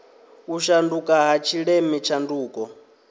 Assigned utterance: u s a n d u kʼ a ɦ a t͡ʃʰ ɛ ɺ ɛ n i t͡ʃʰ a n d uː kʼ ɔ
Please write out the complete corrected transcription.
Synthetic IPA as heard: u ʃ a n d u kʼ a ɦ a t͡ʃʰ i ɺ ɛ m i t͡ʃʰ a n d uː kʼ ɔ